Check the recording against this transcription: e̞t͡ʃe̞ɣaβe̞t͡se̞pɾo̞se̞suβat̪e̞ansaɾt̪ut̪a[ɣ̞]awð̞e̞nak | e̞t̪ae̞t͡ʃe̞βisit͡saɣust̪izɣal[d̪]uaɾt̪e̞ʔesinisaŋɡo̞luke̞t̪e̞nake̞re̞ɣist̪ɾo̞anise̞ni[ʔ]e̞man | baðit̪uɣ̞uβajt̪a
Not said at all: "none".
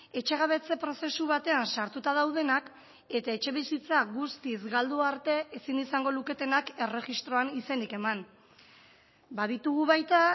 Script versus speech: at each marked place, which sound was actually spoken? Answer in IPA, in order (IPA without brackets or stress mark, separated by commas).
ð̞, d̪, k